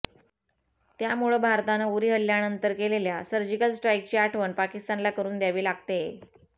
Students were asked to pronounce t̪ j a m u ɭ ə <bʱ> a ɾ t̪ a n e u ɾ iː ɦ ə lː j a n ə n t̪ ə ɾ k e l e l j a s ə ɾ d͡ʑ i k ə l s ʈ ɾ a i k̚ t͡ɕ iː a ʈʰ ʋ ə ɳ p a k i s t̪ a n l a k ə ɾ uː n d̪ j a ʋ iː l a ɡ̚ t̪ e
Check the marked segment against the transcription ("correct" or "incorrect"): correct